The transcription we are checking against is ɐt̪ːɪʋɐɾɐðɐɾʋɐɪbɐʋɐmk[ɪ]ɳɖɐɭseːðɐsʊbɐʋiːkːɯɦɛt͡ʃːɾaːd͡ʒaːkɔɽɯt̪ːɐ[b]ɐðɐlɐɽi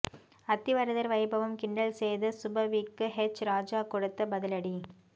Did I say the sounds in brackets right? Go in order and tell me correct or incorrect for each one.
correct, correct

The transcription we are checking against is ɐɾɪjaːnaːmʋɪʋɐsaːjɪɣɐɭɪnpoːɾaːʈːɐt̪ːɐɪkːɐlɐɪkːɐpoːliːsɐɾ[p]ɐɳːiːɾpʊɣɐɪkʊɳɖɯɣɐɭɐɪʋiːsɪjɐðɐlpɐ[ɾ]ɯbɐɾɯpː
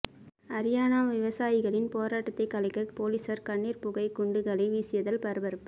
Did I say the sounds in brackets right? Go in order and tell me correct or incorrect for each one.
incorrect: k, correct

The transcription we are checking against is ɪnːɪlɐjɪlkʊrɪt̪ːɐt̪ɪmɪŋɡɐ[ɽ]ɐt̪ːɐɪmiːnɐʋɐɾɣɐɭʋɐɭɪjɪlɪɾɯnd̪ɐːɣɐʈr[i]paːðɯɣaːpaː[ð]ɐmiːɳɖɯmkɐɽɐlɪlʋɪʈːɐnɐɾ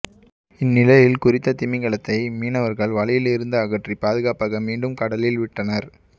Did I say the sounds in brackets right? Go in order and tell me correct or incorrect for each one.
incorrect: ɭ, correct, incorrect: ɣ

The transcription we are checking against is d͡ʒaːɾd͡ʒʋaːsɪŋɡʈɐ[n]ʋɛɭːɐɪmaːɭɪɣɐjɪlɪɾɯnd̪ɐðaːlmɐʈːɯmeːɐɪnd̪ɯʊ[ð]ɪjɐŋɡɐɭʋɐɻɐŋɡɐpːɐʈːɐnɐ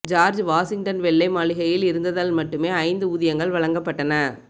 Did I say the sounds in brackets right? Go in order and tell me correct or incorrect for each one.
correct, correct

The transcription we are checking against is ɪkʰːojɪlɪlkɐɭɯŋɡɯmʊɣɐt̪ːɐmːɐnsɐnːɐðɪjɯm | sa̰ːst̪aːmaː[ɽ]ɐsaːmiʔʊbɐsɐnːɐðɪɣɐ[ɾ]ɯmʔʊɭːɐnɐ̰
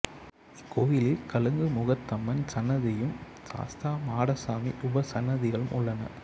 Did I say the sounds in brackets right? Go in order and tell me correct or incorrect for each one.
correct, incorrect: ɭ

